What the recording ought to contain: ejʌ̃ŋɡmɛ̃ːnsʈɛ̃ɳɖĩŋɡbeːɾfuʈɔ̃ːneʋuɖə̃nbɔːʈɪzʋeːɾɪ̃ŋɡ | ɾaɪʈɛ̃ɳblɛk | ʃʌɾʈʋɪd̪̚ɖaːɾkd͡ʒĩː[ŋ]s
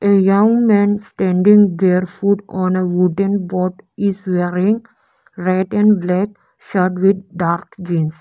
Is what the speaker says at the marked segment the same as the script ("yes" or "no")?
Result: no